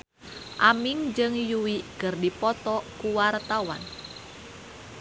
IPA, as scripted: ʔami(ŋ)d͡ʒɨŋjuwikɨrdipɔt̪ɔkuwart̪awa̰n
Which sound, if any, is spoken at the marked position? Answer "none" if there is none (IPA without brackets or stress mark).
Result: ŋ